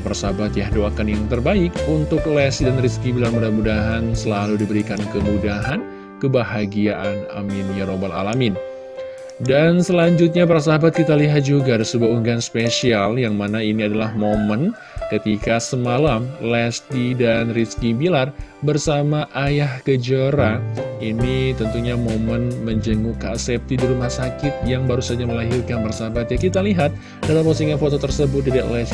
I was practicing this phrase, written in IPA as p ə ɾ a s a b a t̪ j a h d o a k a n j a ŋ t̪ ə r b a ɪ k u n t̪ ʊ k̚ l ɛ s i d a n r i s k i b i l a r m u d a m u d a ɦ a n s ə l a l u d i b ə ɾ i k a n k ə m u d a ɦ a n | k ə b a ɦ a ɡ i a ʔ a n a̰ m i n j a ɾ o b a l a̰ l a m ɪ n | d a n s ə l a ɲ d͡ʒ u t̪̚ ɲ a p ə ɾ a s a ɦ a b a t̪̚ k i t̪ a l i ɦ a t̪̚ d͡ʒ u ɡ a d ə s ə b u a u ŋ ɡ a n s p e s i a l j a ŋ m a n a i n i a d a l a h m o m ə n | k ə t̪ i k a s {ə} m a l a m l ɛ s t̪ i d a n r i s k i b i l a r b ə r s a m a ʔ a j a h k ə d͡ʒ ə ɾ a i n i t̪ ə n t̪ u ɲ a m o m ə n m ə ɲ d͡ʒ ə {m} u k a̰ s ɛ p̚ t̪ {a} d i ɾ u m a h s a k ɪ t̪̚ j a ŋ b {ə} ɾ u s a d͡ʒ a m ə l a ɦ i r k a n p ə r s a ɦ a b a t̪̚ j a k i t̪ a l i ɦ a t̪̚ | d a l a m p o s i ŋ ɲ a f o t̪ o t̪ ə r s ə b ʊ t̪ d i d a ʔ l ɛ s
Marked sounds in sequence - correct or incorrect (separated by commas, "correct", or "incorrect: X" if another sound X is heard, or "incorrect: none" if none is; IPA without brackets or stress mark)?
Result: correct, incorrect: ŋ, incorrect: i, incorrect: a